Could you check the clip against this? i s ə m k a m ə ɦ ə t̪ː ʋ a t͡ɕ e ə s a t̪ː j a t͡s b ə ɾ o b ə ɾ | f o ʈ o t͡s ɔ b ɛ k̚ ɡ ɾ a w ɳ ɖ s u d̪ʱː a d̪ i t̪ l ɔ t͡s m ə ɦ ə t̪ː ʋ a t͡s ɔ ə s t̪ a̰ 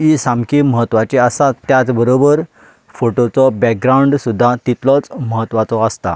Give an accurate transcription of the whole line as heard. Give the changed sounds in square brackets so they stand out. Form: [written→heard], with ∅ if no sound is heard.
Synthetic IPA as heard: i s [ə→a] m k [a→i] m ə ɦ ə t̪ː ʋ a t͡ɕ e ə s a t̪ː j a t͡s b ə ɾ o b ə ɾ | f o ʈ o t͡s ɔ b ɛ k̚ ɡ ɾ a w ɳ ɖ s u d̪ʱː a [d̪→t̪] i t̪ l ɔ t͡s m ə ɦ ə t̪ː ʋ a t͡s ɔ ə s t̪ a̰